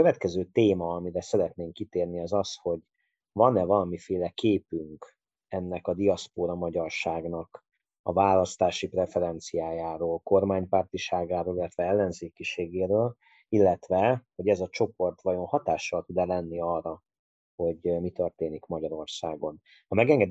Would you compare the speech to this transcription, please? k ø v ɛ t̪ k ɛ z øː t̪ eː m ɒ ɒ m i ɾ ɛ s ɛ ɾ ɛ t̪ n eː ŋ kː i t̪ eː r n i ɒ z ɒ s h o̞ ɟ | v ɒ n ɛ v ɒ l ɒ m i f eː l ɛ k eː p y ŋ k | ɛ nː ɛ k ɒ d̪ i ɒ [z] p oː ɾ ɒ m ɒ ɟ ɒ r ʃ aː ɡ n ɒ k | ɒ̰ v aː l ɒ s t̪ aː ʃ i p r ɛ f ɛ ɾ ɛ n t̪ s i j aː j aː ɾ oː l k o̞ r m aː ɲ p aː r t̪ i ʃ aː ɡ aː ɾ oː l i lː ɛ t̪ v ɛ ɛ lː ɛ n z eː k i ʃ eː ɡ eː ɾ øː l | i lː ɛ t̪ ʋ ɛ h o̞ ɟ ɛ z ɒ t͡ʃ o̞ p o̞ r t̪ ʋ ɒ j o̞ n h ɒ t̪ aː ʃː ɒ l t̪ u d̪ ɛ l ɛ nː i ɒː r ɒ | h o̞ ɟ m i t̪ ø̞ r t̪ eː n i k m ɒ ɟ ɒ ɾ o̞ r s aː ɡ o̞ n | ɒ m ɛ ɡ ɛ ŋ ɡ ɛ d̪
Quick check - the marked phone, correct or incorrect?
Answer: incorrect